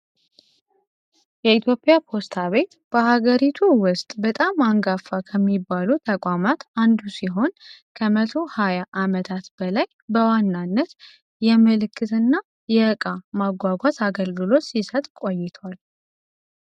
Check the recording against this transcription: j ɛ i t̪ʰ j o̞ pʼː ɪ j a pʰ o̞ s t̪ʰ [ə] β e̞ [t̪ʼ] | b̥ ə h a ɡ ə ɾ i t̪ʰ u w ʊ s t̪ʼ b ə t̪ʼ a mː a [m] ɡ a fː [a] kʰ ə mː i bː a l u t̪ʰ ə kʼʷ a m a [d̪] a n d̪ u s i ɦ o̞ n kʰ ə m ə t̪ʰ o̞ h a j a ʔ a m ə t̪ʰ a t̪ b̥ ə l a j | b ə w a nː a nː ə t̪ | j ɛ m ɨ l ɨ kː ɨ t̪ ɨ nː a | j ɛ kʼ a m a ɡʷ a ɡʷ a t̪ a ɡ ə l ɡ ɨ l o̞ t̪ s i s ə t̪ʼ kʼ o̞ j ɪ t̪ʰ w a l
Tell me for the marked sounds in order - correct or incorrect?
incorrect: a, incorrect: t̪, incorrect: ŋ, correct, incorrect: t̪

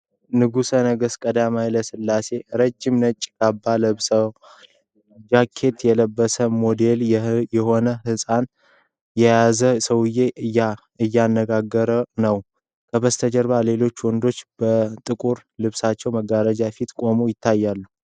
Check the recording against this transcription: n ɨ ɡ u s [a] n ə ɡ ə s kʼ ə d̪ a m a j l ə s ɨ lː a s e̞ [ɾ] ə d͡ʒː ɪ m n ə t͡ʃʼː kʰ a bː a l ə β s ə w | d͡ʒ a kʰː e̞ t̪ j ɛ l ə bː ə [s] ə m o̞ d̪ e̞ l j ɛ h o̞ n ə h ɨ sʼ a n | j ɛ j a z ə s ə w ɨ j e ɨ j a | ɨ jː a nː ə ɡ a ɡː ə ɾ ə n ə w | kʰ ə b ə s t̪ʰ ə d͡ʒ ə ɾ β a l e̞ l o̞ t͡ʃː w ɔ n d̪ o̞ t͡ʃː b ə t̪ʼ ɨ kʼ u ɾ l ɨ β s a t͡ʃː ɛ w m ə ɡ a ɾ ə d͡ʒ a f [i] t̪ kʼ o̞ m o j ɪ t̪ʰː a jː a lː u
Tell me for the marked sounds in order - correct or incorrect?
incorrect: ə, correct, correct, correct

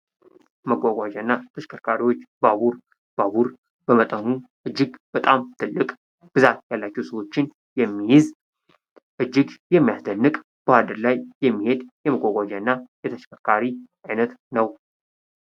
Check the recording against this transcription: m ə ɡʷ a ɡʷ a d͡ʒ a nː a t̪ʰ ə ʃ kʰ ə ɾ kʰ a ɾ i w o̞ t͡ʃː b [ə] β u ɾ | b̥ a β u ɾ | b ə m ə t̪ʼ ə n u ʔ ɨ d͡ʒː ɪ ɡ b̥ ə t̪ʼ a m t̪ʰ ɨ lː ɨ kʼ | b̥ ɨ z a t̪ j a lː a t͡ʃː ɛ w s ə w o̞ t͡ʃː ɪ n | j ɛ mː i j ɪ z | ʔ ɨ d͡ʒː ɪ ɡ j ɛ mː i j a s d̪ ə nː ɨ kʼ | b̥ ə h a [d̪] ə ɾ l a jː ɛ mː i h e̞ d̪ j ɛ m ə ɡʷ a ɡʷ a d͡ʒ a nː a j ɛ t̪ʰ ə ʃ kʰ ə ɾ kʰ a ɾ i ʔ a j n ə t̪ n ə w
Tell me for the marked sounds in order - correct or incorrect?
incorrect: a, correct

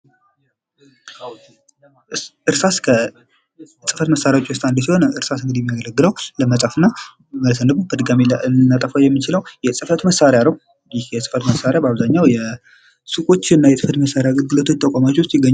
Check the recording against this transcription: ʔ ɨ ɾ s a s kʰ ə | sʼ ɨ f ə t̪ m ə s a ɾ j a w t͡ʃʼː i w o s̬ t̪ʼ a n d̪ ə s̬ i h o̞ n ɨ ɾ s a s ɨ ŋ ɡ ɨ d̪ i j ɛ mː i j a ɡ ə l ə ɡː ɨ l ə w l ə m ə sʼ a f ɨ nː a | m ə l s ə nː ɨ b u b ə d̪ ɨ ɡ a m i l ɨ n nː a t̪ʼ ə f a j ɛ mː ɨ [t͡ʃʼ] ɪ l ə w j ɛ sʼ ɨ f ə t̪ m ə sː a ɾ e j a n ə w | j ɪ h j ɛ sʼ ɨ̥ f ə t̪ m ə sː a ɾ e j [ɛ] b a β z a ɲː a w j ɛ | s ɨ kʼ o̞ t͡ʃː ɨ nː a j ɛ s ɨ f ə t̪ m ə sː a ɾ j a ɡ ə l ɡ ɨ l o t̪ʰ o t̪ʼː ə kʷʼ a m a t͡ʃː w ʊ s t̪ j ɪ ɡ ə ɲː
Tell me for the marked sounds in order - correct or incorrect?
incorrect: t͡ʃ, incorrect: a

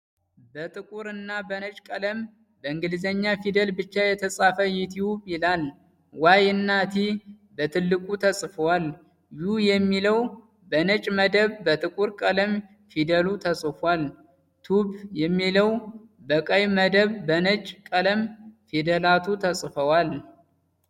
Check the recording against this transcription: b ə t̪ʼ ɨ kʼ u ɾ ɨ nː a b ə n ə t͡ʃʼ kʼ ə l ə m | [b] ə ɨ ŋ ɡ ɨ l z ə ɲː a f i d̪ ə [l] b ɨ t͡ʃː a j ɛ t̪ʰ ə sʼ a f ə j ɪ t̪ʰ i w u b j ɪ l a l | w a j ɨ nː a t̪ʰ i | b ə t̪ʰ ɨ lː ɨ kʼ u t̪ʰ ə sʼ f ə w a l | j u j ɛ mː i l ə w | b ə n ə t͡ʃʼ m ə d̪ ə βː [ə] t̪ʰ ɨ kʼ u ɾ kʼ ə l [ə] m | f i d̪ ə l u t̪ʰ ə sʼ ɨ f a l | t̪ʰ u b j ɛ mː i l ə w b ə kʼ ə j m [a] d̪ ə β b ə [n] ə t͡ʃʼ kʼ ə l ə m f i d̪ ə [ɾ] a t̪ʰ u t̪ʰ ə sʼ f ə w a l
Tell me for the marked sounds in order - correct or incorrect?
correct, correct, correct, correct, incorrect: ə, correct, incorrect: l

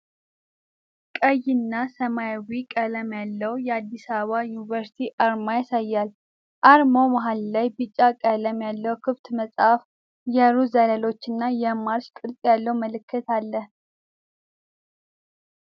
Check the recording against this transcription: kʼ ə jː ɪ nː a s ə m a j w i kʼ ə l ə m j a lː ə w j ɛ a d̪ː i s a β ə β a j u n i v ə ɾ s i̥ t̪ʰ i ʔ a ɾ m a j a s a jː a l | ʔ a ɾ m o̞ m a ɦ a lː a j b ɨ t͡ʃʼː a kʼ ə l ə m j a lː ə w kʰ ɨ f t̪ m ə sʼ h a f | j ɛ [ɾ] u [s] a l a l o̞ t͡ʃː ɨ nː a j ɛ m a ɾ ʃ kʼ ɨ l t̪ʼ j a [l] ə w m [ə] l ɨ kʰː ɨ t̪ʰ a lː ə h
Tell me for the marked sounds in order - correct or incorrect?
correct, incorrect: z, incorrect: lː, correct

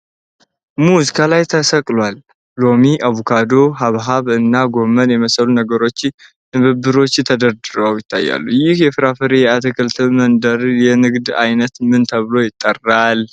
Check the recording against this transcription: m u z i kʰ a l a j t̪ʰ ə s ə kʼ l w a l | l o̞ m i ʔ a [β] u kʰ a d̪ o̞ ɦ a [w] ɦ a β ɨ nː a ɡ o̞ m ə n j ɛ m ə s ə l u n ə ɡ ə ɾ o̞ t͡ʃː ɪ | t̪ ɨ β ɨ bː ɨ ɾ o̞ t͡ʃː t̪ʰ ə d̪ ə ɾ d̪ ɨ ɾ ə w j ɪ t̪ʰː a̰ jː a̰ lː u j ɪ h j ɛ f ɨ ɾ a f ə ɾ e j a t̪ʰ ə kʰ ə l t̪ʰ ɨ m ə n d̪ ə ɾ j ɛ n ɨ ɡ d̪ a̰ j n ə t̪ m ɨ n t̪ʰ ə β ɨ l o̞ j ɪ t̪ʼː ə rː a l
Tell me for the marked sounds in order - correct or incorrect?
correct, incorrect: β

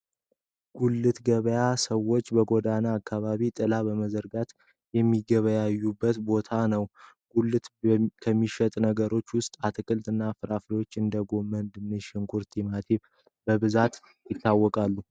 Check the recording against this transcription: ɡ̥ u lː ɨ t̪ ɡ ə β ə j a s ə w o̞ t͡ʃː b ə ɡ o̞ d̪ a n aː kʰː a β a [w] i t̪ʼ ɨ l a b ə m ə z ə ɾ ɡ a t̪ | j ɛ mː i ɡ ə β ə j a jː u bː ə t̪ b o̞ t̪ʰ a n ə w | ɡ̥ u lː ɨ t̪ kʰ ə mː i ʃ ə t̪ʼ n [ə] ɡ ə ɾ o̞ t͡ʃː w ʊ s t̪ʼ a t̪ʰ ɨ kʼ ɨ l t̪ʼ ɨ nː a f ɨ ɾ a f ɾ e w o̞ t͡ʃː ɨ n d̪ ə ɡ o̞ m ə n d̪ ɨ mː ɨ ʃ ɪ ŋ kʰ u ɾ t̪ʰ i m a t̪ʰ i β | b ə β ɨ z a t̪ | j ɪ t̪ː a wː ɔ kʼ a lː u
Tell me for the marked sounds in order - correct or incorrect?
incorrect: β, correct

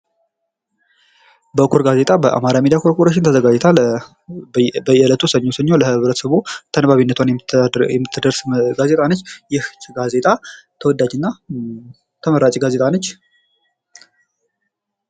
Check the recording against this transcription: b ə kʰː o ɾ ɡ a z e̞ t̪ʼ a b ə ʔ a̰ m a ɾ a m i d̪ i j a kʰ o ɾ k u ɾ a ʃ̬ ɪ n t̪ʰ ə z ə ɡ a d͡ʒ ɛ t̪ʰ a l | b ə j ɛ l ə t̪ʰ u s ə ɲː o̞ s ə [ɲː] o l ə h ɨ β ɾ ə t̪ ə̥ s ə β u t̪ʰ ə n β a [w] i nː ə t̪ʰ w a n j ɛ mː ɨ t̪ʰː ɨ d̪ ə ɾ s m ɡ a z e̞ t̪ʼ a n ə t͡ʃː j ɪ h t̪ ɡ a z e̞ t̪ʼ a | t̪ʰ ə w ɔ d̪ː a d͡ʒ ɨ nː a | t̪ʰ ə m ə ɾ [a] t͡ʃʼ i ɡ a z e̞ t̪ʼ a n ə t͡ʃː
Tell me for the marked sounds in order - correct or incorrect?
correct, incorrect: β, correct

